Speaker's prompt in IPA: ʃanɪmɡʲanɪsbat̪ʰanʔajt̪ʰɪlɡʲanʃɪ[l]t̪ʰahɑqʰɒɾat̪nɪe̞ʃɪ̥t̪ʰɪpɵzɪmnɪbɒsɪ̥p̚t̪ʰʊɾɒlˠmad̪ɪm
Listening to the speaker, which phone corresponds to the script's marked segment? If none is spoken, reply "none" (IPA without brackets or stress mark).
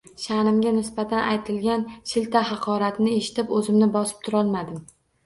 l